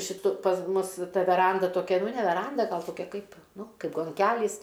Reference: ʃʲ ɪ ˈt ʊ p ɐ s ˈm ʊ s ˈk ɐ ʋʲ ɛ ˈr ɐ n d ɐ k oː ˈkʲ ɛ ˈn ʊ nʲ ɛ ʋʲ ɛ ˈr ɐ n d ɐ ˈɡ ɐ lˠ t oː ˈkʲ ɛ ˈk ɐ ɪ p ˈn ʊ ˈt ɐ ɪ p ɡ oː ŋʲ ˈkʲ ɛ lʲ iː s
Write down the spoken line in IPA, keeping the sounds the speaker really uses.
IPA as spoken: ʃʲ ɪ ˈt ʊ p ɐ s ˈm ʊ s ˈt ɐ ʋʲ ɛ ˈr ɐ n d ɐ t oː ˈkʲ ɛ ˈn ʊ nʲ ɛ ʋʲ ɛ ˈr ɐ n d ɐ ˈɡ ɐ lˠ t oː ˈkʲ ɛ ˈk ɐ ɪ p ˈn ʊ ˈk ɐ ɪ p ɡ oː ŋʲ ˈkʲ æ lʲ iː s